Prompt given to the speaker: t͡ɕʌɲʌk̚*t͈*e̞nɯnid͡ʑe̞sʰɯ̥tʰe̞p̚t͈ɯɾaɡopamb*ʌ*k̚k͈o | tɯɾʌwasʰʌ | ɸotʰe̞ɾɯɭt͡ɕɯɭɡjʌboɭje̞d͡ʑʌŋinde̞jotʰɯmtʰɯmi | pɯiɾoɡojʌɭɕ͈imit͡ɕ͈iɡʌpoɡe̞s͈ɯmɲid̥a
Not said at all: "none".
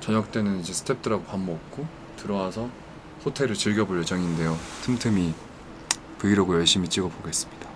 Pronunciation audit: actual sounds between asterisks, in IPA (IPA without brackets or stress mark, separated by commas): t͈, ʌ